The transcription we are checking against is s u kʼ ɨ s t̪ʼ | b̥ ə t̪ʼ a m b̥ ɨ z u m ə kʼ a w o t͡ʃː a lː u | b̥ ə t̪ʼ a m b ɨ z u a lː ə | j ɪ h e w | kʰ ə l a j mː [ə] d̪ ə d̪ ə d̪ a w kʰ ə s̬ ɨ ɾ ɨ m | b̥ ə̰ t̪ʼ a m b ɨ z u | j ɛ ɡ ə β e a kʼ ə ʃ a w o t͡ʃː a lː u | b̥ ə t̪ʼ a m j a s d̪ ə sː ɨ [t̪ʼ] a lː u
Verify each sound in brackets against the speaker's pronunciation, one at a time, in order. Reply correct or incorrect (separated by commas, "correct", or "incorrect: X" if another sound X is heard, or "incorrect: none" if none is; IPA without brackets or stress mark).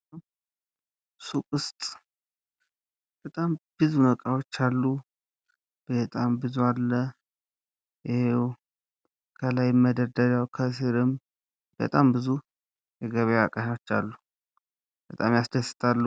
correct, correct